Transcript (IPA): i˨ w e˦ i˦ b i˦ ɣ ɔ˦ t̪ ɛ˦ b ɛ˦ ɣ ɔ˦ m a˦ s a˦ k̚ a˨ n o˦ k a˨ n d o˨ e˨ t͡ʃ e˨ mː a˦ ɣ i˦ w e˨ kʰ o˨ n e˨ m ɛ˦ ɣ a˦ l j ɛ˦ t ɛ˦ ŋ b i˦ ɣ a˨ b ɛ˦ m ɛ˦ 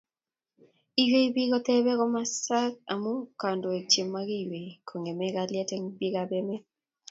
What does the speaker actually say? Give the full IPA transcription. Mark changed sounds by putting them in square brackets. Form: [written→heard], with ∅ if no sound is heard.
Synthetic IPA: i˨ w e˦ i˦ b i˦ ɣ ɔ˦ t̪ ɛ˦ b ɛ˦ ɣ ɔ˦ m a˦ s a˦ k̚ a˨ [n→m] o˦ k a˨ n d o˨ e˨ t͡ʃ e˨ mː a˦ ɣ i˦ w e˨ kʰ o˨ [n→ŋ] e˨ m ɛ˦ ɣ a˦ l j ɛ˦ t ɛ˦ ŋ b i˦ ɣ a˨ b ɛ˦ m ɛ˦

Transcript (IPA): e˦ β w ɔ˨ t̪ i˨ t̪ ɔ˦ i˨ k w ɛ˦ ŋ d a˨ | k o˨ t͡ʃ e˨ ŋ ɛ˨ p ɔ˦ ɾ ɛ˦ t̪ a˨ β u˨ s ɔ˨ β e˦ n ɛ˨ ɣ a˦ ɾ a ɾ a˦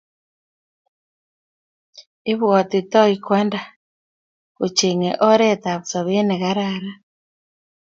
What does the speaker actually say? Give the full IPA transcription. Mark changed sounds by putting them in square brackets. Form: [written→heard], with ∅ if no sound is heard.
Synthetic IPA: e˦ β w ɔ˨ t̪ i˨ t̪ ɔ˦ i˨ k w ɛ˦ [ŋ→n] d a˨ | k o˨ t͡ʃ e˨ ŋ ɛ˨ [p→ʔ] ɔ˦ ɾ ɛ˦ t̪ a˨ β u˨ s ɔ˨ β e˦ n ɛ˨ ɣ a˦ ɾ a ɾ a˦

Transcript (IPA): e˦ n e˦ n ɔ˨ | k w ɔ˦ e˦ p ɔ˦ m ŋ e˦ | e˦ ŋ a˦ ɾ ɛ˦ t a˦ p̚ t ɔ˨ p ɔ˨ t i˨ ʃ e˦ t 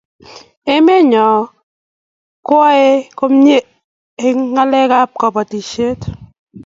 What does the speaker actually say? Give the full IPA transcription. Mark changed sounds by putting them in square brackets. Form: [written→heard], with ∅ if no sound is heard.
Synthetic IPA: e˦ [n→m] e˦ [n→ɲ] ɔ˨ | k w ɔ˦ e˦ [p→k] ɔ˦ m [ŋ→ɲ] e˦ | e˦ ŋ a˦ [ɾ→l] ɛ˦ [t→k] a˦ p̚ [t→k] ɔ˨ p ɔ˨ t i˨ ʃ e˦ t

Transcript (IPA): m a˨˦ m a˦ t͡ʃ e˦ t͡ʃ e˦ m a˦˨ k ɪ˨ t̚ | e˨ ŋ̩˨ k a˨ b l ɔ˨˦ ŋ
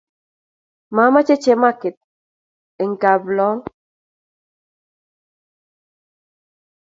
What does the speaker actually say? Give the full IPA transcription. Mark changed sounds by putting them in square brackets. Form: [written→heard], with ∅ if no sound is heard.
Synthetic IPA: m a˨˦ m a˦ t͡ʃ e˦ t͡ʃ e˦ m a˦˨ k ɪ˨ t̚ | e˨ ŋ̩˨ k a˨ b l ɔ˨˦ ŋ

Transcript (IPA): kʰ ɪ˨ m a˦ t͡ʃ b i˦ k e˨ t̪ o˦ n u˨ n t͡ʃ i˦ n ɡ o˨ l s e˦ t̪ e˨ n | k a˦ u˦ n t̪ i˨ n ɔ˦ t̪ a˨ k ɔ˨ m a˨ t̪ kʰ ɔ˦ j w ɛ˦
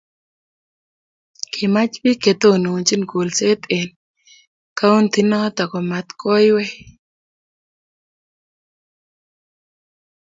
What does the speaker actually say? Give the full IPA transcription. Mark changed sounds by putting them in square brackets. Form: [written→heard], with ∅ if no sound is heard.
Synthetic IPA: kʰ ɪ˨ m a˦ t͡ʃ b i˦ k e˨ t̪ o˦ n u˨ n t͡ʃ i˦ n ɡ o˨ l s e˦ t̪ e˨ n | k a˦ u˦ n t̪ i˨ n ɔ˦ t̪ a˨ k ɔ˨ m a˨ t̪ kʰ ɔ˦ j w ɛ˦

